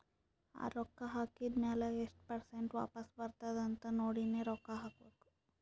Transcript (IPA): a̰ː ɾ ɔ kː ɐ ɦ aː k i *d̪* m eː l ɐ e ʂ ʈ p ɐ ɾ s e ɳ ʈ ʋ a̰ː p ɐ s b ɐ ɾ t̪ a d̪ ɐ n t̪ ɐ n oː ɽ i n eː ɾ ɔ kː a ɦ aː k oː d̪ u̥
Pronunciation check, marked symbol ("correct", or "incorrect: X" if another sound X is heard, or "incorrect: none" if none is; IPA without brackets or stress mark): correct